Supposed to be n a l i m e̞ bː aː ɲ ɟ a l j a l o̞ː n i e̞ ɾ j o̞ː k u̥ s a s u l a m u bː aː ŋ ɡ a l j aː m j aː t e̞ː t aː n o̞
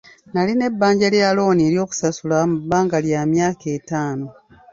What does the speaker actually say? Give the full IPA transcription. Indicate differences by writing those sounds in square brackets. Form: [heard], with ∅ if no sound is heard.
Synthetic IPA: n a l i [n] e̞ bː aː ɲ ɟ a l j a l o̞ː n i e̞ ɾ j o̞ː k u̥ s a s u l a m u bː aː ŋ ɡ a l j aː m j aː [k] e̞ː t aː n o̞